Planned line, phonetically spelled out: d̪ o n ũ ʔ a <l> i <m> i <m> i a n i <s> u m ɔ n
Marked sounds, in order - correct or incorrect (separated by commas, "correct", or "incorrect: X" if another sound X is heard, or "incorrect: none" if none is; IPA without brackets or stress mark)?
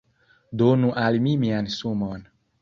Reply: correct, correct, correct, correct